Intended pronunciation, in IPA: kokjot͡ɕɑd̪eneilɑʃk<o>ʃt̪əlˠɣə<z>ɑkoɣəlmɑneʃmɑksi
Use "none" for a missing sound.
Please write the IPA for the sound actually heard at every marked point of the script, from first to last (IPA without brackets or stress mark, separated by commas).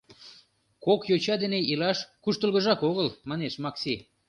u, ʒ